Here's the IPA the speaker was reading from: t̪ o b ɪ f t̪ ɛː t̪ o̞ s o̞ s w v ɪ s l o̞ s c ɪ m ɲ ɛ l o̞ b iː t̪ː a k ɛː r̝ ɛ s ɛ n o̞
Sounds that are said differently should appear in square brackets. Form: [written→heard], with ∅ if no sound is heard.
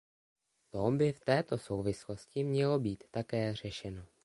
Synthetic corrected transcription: t̪ o b ɪ f t̪ ɛː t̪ o̞ s o̞ [s→∅] w v ɪ s l o̞ s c ɪ m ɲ ɛ l o̞ b iː t̪ː a k ɛː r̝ ɛ [s→ʃ] ɛ n o̞